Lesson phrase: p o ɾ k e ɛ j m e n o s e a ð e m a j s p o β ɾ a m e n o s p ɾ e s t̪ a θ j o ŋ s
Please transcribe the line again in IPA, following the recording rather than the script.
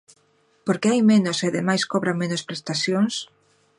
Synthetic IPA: p o ɾ k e a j m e n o s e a ð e m a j s k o β ɾ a m e n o s p ɾ e s t̪ a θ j o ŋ s